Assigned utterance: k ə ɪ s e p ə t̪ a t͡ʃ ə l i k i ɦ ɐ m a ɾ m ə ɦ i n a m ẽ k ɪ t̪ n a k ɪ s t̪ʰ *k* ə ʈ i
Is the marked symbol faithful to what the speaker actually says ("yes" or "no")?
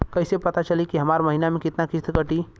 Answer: yes